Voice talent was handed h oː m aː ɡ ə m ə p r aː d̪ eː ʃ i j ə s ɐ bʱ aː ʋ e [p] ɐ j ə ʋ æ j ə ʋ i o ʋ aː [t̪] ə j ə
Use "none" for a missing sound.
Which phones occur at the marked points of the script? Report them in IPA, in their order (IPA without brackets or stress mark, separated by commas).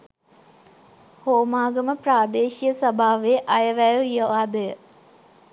ʔ, d̪